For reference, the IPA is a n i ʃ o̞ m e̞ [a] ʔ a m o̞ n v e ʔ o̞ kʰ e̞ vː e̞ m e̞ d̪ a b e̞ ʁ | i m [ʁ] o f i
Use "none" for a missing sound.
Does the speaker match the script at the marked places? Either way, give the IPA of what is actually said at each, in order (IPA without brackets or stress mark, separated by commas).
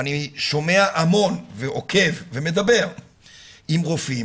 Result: a, ʁ